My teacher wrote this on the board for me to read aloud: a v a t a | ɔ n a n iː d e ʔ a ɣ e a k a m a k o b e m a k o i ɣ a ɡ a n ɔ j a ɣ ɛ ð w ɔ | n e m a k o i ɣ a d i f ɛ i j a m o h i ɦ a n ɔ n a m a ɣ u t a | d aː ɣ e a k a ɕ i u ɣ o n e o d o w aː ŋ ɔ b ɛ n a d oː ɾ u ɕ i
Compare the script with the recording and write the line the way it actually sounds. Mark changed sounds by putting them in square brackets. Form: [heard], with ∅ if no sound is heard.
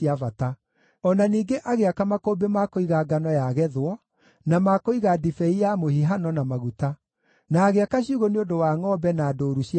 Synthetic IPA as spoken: a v a t a | ɔ n a n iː [ɡ] e ʔ a ɣ e a k a m a k o b e m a k o i ɣ a ɡ a n ɔ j a ɣ ɛ ð w ɔ | n [a] m a k o i ɣ a d i f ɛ i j a m o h i ɦ a n ɔ n a m a ɣ u t a | [n] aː ɣ e a k a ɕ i u ɣ o n e o d o w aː ŋ ɔ b ɛ n a d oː ɾ u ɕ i